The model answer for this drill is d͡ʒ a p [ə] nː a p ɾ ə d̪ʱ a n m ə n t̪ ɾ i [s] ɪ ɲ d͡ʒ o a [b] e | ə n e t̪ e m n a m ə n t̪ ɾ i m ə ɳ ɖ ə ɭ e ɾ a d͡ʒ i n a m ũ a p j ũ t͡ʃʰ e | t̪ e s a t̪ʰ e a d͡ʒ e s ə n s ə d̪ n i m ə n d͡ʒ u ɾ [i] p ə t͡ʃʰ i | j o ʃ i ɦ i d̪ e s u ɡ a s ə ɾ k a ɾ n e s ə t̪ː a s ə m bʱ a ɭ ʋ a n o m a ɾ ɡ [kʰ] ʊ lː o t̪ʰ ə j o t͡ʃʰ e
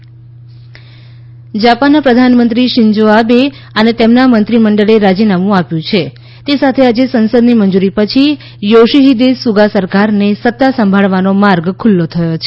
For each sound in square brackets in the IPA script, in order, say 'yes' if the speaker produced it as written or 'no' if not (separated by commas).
no, no, yes, yes, yes